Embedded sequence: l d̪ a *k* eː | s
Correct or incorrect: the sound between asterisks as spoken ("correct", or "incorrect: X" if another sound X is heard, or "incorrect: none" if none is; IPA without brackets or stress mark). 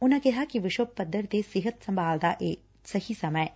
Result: incorrect: ʔ